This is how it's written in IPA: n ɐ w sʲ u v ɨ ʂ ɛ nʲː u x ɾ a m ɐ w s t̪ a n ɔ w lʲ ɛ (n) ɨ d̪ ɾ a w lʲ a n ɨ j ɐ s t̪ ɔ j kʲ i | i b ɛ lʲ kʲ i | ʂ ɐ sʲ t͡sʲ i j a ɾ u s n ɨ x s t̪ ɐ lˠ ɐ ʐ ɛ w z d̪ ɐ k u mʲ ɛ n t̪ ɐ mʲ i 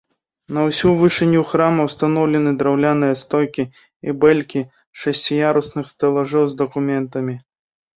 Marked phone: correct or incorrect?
correct